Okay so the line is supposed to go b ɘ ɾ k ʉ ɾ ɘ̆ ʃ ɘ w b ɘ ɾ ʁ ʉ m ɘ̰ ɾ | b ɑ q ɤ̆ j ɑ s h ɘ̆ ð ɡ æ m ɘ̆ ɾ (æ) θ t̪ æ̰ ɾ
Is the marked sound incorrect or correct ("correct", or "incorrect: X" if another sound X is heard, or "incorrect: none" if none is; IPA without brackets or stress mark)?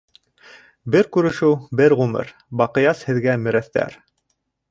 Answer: correct